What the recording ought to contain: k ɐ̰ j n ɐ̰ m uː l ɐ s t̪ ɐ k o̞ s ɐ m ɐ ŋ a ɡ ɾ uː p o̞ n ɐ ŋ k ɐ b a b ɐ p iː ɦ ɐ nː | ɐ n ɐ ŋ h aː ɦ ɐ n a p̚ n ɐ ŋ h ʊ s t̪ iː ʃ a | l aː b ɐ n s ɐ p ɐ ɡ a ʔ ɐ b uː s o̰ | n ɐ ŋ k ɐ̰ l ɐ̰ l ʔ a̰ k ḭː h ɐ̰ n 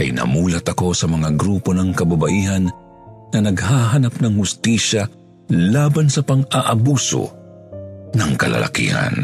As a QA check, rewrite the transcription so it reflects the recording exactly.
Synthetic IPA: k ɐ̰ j n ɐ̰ m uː l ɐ t̪ ɐ k o̞ s ɐ m ɐ ŋ a ɡ ɾ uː p o̞ n ɐ ŋ k ɐ b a b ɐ ʔ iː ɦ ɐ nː | ɐ n ɐ ɡ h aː ɦ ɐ n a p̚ n ɐ ŋ h ʊ s t̪ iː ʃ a | l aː b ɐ n s ɐ p ɐ ŋ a ʔ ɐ b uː s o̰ | n ɐ ŋ k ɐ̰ l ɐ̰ l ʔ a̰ k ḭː h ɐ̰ n